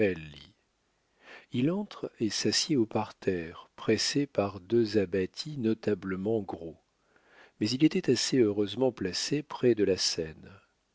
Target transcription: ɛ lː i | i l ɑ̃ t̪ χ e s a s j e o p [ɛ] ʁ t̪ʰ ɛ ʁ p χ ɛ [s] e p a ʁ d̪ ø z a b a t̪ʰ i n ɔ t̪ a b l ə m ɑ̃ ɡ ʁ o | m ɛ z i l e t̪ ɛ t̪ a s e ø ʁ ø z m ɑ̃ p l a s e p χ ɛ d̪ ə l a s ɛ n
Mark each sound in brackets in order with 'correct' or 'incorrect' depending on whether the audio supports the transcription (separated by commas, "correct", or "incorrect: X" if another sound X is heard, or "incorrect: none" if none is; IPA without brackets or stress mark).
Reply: incorrect: a, correct